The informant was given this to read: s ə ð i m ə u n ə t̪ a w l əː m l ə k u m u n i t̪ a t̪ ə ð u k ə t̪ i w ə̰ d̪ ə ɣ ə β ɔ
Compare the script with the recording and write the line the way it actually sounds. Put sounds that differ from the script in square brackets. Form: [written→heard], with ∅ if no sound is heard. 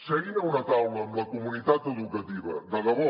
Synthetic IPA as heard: s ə [ð→ɣ] i [m→n] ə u n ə t̪ a w l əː m l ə k u m u n i t̪ a t̪ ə ð u k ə t̪ i [w→β] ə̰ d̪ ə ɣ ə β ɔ